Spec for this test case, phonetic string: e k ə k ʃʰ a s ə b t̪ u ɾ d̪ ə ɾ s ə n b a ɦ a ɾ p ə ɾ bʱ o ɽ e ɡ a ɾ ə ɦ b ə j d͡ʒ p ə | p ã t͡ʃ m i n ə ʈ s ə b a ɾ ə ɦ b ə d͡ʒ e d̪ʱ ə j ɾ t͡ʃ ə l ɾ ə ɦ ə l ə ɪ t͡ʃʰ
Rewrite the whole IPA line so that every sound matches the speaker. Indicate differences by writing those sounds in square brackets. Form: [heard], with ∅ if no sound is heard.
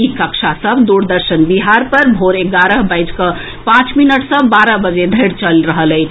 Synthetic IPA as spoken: [i] k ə k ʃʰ a s ə b [d̪] u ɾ d̪ ə ɾ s ə n b [i] ɦ a ɾ p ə ɾ bʱ o [ɾ] e ɡ a ɾ ə ɦ b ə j d͡ʒ [k] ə | p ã t͡ʃ m i n ə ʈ s ə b a ɾ ə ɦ b ə d͡ʒ e d̪ʱ ə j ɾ t͡ʃ ə l ɾ ə ɦ ə l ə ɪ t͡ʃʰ